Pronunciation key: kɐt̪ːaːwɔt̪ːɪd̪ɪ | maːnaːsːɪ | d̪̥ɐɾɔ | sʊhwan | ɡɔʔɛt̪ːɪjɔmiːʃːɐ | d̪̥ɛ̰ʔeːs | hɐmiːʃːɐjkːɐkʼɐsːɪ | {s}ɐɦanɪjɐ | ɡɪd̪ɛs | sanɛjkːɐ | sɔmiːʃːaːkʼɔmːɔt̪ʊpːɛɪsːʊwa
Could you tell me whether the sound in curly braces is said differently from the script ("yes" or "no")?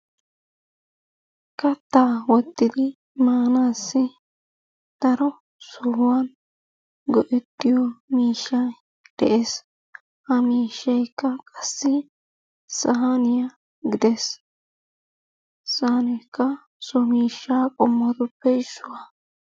no